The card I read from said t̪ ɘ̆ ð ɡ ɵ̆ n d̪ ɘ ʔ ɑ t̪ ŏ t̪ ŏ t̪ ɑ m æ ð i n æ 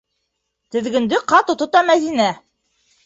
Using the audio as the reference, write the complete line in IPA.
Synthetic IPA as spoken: t̪ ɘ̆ ð ɡ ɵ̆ n d̪ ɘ q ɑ t̪ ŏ t̪ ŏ t̪ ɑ m æ ð i n æ